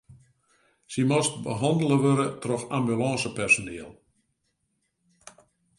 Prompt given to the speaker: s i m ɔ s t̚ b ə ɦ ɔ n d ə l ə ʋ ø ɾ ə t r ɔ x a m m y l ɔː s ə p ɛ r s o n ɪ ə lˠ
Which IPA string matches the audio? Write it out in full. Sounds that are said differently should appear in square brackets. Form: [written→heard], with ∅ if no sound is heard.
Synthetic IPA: s i m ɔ s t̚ b ə ɦ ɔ n d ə l ə ʋ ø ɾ ə t r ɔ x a m [m→b] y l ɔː s ə p ɛ r s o n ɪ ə lˠ

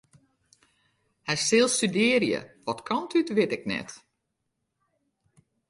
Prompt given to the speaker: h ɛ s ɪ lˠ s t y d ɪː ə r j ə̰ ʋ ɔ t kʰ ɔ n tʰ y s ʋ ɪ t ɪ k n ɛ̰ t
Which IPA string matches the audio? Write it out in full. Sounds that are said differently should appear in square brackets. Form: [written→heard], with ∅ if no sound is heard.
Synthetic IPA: h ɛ s ɪ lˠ s t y d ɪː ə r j ə̰ ʋ ɔ t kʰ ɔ n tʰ y [s→t] ʋ ɪ t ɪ k n ɛ̰ t

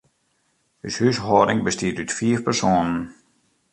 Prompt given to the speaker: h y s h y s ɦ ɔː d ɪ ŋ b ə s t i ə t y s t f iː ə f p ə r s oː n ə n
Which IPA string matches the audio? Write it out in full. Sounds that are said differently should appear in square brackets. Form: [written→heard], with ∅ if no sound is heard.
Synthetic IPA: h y s h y s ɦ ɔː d ɪ ŋ b ə s t i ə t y [s→∅] t f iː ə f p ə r s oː n ə n

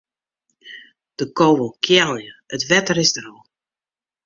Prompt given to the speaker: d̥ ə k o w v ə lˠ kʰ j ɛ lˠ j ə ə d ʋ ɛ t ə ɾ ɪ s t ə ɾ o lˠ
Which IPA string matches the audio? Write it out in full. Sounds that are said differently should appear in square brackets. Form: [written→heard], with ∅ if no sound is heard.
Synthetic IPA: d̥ ə k o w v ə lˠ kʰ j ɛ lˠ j ə ə [d→t] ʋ ɛ t ə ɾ ɪ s [t→d] ə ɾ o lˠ

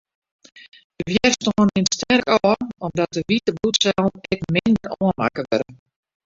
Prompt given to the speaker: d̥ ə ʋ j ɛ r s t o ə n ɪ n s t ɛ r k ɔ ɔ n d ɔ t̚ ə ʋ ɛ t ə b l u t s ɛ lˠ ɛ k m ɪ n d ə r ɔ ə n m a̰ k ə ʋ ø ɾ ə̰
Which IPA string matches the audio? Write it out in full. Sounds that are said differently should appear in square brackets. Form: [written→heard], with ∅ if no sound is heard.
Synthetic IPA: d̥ ə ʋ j ɛ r s t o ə n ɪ n s t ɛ r k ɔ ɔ [n→m] d ɔ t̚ ə ʋ [ɛ→i] t ə b l u t s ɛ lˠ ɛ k m ɪ n d ə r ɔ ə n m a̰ k ə ʋ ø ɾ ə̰

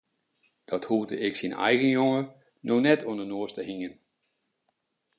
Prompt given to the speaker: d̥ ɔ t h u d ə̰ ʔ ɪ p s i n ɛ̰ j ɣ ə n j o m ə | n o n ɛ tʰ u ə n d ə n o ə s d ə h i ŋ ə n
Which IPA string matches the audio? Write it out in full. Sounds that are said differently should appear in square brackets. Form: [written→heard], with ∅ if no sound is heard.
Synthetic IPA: d̥ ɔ t h u d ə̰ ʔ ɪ [p→k] s i n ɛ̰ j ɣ ə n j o [m→ŋ] ə | n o n ɛ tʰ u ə n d ə n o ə s [d→t] ə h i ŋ ə n

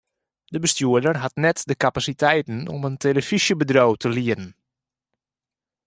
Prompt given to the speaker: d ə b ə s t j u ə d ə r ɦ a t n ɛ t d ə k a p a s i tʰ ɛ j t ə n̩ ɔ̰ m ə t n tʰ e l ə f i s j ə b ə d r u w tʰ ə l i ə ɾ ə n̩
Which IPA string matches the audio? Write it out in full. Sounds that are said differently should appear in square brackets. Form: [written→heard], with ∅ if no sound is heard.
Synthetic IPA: d ə b ə s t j u ə d ə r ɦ a t n ɛ t d ə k a p a s i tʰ ɛ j t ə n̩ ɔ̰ m ə [t→∅] n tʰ e l ə f i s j ə b ə d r [u→o] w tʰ ə l i ə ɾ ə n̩

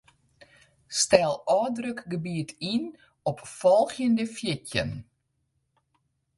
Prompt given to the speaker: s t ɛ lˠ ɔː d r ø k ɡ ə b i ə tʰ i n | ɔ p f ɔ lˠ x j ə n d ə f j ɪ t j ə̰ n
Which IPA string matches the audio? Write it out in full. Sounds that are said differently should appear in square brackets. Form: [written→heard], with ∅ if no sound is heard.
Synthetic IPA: s t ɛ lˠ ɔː d r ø k ɡ ə b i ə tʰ i n | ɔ p f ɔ lˠ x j ə n d ə f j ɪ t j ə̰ n

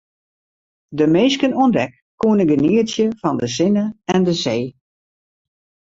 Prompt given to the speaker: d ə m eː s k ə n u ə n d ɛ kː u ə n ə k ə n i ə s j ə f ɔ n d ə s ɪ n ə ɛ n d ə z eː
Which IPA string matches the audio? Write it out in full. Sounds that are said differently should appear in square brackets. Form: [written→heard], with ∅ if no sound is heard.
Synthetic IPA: d ə m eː s k ə n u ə n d ɛ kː u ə n ə [k→ɡ] ə n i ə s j ə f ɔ n d ə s ɪ n ə ɛ n d ə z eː

